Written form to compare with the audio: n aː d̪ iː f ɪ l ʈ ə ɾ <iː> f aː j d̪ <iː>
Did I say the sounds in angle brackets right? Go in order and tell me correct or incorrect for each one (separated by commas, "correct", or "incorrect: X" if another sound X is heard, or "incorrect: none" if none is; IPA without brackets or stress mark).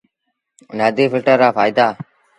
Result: incorrect: aː, incorrect: aː